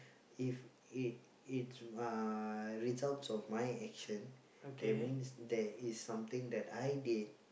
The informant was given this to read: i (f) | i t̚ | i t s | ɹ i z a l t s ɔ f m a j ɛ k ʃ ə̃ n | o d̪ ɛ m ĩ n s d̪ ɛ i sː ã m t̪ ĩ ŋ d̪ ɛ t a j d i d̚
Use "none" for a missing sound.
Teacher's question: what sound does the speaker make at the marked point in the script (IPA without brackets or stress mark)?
f